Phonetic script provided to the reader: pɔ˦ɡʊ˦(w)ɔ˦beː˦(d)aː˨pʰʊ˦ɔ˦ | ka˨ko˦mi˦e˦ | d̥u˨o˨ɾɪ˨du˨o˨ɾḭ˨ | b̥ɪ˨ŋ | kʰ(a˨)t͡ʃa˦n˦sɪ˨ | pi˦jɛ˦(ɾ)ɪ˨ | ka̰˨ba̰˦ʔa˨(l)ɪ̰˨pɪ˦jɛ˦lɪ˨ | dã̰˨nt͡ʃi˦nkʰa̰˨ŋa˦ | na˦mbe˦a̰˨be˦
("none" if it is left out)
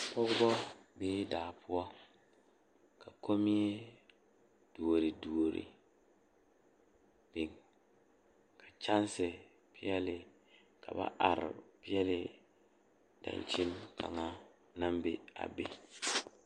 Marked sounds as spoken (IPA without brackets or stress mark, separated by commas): b, d, a˨, l, ɾ